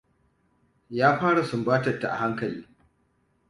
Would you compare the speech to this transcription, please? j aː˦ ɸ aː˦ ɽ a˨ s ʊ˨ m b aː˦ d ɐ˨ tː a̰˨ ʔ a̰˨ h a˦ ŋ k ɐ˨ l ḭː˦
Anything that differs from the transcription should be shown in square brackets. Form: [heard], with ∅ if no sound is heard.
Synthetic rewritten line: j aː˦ ɸ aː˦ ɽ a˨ s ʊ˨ m b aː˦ [t] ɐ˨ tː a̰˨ ʔ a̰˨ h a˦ ŋ k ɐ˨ l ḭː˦